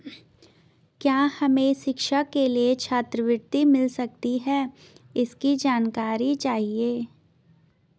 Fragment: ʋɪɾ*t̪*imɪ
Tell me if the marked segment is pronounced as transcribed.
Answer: yes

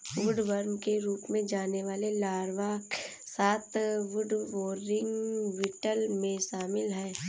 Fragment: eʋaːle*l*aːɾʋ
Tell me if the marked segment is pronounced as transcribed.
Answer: yes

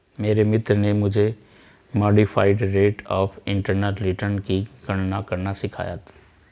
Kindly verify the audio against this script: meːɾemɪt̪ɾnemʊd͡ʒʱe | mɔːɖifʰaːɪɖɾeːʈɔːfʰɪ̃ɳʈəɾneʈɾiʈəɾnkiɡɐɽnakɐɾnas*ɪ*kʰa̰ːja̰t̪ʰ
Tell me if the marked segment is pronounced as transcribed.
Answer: yes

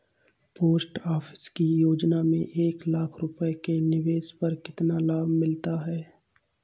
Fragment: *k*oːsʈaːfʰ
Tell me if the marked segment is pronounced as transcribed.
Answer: no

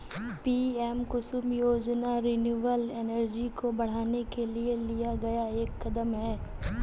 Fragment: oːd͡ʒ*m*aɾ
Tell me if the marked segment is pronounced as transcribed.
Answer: no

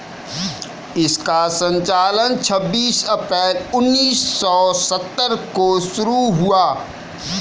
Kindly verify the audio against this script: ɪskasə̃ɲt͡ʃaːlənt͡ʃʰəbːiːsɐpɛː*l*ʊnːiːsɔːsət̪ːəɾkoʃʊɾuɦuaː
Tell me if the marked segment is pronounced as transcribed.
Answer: yes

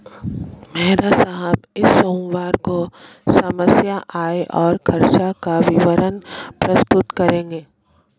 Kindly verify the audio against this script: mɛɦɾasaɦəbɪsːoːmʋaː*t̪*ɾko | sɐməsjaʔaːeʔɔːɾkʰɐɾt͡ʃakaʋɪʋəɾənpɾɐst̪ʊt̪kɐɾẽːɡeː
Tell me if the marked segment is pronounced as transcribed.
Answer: no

